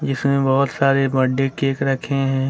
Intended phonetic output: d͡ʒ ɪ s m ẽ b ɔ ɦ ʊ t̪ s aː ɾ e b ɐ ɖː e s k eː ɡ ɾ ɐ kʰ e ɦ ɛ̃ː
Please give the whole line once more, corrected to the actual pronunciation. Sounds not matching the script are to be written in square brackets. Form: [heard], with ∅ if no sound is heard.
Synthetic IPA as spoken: d͡ʒ ɪ s m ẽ b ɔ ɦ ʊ t̪ s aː ɾ e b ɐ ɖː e [∅] k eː [k] ɾ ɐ kʰ e ɦ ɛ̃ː